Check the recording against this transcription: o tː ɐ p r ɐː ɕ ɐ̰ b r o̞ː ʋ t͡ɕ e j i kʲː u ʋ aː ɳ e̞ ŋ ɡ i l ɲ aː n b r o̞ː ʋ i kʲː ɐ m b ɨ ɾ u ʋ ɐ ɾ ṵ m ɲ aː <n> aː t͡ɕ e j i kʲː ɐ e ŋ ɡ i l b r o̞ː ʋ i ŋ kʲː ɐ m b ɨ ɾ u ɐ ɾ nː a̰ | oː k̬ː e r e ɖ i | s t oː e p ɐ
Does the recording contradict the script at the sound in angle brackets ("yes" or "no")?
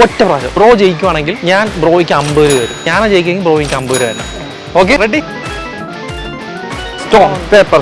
no